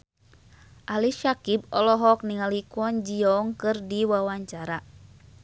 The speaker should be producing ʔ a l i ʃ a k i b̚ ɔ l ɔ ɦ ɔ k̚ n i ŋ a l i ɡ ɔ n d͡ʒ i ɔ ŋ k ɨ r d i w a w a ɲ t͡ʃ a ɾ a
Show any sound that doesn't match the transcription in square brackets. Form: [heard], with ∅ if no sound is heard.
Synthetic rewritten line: ʔ a l i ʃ a k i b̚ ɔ l ɔ ɦ ɔ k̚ n i ŋ a l i [k] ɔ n d͡ʒ i ɔ ŋ k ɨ r d i w a w a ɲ t͡ʃ a ɾ a